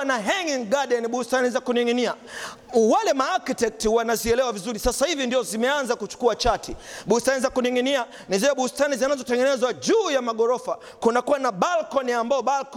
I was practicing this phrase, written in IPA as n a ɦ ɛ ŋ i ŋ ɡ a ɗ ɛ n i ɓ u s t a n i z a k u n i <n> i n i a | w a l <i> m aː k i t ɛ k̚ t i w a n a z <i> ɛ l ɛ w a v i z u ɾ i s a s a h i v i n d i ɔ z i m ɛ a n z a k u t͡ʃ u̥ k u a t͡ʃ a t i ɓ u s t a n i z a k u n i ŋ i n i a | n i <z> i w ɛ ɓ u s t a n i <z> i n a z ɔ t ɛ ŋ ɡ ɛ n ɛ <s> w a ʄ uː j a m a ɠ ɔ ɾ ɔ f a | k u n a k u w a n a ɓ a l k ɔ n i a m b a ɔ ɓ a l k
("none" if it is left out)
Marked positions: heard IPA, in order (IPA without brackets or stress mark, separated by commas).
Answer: ŋ, ɛ, i, z, z, z